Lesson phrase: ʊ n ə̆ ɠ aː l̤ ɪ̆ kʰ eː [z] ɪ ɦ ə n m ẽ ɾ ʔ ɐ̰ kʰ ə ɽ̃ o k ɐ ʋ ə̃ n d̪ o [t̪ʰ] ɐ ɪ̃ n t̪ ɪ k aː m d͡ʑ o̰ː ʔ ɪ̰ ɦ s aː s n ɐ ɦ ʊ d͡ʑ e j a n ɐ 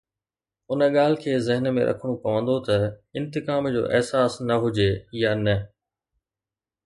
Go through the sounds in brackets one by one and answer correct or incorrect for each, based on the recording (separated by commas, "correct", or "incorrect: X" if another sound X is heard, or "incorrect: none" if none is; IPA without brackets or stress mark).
correct, incorrect: t̪